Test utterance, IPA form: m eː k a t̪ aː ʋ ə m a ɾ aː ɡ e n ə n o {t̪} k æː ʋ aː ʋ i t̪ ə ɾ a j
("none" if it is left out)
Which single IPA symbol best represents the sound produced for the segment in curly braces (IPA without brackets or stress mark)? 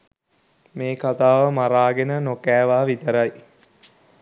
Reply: none